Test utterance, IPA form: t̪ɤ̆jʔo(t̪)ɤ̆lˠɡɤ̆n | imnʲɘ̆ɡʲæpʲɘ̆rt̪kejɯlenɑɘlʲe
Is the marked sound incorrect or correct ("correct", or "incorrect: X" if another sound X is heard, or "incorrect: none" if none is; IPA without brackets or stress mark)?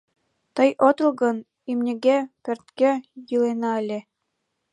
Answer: correct